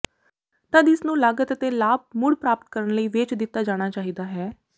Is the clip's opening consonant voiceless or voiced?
voiceless